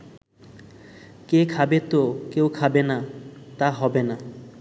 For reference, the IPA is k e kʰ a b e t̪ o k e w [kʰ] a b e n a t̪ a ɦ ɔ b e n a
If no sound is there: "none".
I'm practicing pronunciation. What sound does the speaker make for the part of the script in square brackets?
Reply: kʰ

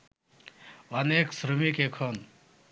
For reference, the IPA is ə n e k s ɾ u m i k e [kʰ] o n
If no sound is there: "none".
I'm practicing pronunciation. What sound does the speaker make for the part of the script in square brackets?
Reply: kʰ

